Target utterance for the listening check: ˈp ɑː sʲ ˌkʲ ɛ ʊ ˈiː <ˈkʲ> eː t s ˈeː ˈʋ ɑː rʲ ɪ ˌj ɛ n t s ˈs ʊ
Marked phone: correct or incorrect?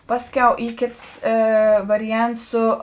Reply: correct